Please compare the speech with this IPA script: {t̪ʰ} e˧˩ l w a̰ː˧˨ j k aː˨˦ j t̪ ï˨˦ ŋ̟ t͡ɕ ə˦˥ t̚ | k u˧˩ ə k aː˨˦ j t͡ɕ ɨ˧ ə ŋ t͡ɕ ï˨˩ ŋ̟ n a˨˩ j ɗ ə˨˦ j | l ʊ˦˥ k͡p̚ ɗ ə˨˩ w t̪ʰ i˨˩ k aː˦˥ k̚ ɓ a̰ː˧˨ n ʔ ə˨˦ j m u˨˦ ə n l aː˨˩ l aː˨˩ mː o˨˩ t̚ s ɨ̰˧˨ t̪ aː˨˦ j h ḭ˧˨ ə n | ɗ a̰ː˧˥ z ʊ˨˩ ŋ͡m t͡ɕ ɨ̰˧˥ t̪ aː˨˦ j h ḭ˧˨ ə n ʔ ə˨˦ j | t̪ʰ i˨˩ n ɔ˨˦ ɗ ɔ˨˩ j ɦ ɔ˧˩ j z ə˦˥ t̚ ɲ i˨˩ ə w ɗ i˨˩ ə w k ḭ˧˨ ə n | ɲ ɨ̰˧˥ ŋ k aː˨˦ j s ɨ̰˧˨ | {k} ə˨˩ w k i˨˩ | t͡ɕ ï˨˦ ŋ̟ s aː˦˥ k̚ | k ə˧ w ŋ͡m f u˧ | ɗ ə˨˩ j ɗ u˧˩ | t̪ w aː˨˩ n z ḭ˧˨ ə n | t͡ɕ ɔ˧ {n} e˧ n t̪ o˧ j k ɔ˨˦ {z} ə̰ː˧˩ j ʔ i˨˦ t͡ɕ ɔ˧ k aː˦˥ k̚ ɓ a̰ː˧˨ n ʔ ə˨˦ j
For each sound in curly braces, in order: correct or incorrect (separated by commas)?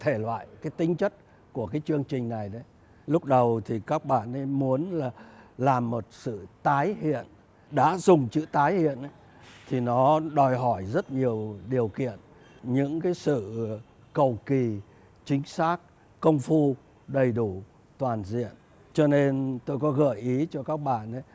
correct, correct, correct, incorrect